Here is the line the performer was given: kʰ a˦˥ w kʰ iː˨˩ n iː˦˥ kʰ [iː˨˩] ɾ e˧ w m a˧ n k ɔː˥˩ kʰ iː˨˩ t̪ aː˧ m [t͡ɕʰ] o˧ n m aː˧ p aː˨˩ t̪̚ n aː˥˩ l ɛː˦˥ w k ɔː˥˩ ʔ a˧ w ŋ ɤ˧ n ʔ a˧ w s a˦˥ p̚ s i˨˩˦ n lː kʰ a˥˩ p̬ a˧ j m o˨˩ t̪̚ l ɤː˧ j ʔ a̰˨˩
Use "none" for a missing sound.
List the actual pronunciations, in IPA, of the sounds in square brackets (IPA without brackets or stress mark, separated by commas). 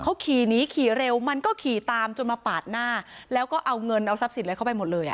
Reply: iː˨˩, t͡ɕ